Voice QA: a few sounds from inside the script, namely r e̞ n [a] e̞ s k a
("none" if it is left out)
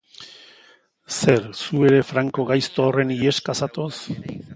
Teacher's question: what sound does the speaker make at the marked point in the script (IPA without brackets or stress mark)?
i